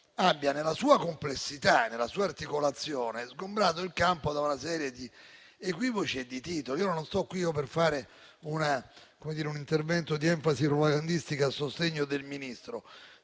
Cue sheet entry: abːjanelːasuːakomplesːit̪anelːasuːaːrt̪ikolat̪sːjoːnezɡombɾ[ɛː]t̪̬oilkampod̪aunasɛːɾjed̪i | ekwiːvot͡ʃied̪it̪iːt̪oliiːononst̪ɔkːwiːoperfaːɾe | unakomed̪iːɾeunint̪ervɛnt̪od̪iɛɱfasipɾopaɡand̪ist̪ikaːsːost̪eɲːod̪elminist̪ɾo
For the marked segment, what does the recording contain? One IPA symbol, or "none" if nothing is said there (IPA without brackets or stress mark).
aː